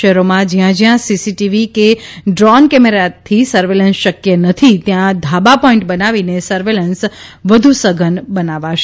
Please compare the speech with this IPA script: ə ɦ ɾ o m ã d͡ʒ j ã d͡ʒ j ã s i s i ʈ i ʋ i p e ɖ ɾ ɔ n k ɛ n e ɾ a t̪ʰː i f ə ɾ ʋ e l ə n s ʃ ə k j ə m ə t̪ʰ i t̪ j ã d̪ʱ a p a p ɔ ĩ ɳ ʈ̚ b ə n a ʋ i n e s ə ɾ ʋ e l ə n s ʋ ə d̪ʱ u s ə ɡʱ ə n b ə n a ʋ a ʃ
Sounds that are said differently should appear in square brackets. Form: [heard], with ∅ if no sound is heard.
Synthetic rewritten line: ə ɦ ɾ o m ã d͡ʒ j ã d͡ʒ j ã s i s i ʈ i ʋ i [k] e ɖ ɾ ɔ n k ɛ [m] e ɾ a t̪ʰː i [s] ə ɾ ʋ e l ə n s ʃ ə k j ə [n] ə t̪ʰ i t̪ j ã d̪ʱ a [b] a p ɔ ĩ ɳ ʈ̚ b ə n a ʋ i n e s ə ɾ ʋ e l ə n s ʋ ə d̪ʱ u s ə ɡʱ ə n b ə n a ʋ a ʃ

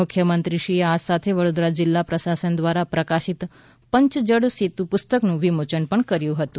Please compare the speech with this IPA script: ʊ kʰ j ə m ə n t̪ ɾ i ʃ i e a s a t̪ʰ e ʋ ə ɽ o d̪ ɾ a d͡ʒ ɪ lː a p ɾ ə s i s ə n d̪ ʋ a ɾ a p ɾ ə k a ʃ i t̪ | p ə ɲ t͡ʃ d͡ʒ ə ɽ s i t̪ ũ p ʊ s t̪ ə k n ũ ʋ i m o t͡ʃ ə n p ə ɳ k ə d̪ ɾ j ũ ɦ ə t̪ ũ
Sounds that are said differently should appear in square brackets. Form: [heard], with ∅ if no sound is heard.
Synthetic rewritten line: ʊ kʰ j ə m ə n t̪ ɾ i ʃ i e a s a t̪ʰ e ʋ ə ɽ o d̪ ɾ a d͡ʒ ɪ lː a p ɾ ə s [a] s ə n d̪ ʋ a ɾ a p ɾ ə k a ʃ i t̪ | p ə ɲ t͡ʃ d͡ʒ ə ɽ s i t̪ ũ p ʊ s t̪ ə k n ũ ʋ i m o t͡ʃ ə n p ə ɳ k ə [∅] ɾ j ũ ɦ ə t̪ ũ

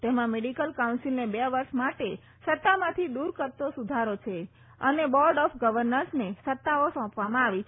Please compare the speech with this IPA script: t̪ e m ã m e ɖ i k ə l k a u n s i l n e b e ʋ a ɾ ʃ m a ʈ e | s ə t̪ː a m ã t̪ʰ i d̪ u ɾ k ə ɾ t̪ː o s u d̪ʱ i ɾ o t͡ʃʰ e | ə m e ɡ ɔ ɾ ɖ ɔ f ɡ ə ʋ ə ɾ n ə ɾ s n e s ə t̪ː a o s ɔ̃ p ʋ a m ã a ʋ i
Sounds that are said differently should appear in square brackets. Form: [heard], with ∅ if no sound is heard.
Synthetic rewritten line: t̪ e m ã m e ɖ i k ə l k a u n s i l n e b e ʋ [ə] ɾ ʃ m a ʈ e | s ə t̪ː a m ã t̪ʰ i d̪ u ɾ k ə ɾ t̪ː o s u d̪ʱ [a] ɾ o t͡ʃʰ e | ə [n] e [b] ɔ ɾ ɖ ɔ f ɡ ə ʋ ə ɾ n ə ɾ s n e s ə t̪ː a o s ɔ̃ p ʋ a m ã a ʋ i

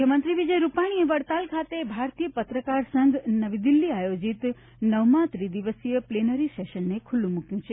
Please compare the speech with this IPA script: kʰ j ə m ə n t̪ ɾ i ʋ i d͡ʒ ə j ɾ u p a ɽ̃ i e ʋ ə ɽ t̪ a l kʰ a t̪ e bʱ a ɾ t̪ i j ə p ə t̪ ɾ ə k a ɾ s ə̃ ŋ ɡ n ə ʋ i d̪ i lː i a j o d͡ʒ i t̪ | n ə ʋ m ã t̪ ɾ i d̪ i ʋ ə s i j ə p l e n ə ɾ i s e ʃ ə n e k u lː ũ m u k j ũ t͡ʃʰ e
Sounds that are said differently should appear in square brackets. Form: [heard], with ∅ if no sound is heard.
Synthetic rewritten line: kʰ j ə m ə n t̪ ɾ i ʋ i d͡ʒ ə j ɾ u p a ɽ̃ i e ʋ ə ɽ t̪ a l kʰ a t̪ e bʱ a ɾ t̪ i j ə p ə t̪ ɾ ə k a ɾ s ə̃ ŋ ɡ n ə ʋ i d̪ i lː i a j o d͡ʒ i t̪ | n ə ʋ m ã t̪ ɾ i d̪ i ʋ ə s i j ə p l e n ə ɾ i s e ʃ ə [nː] e [kʰ] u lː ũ m u k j ũ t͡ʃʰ e

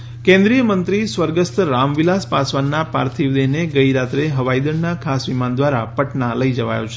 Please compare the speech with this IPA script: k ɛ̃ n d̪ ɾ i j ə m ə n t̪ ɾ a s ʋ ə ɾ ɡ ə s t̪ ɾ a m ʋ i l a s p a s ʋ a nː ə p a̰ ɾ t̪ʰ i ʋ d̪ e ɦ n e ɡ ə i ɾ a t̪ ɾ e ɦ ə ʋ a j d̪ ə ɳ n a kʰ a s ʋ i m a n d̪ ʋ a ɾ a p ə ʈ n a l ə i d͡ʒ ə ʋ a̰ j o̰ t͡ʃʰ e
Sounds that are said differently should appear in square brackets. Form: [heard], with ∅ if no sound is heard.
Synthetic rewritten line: k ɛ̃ n d̪ ɾ i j ə m ə n t̪ ɾ [i] s ʋ ə ɾ ɡ ə s t̪ ɾ a m ʋ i l a s p a s ʋ a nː [a] p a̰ ɾ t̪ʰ i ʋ d̪ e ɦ n e ɡ ə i ɾ a t̪ ɾ e ɦ ə ʋ a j d̪ ə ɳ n a kʰ a s ʋ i m a n d̪ ʋ a ɾ a p ə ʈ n a l ə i d͡ʒ ə ʋ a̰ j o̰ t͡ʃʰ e

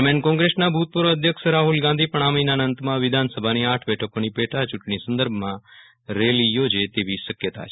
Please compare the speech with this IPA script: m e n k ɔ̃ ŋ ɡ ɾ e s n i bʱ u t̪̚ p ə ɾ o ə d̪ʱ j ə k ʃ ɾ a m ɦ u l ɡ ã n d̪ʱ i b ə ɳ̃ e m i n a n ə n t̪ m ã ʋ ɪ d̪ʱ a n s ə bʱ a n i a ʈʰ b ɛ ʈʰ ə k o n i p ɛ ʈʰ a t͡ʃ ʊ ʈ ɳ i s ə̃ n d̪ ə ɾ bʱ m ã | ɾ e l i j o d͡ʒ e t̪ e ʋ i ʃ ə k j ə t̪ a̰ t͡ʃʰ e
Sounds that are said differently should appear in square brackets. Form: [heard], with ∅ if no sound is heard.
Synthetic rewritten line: m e n k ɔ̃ ŋ ɡ ɾ e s n [a] bʱ u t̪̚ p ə ɾ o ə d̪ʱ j ə k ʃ ɾ a [∅] ɦ u l ɡ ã n d̪ʱ i [p] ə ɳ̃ [a] m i n a n ə n t̪ m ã ʋ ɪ d̪ʱ a n s ə bʱ a n i a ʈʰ b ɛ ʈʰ ə k o n i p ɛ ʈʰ a t͡ʃ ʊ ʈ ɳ i s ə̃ n d̪ ə ɾ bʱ m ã | ɾ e l i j o d͡ʒ e t̪ e ʋ i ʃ ə k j ə t̪ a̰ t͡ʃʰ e

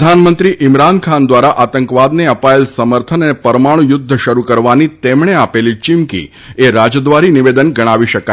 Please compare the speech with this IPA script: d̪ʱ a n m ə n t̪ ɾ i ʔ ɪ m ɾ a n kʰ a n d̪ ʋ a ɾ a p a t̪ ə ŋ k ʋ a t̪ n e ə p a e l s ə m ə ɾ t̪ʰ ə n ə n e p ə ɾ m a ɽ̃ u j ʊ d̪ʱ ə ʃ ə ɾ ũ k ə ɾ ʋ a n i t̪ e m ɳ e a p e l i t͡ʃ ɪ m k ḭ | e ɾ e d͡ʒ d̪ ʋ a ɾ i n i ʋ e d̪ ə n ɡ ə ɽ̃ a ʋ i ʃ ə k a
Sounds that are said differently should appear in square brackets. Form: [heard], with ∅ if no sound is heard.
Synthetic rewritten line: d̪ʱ a n m ə n t̪ ɾ i ʔ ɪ m ɾ a n kʰ a n d̪ ʋ a ɾ a [ʔ] a t̪ ə ŋ k ʋ a [d̪] n e ə p a e l s ə m ə ɾ t̪ʰ ə n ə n e p ə ɾ m a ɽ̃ u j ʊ [d̪ʱː] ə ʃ ə ɾ [u] k ə ɾ ʋ a n i t̪ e m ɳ e a p e l i t͡ʃ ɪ m k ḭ | e ɾ [a] d͡ʒ d̪ ʋ a ɾ i n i ʋ e d̪ ə n ɡ ə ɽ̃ a ʋ i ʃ ə k a

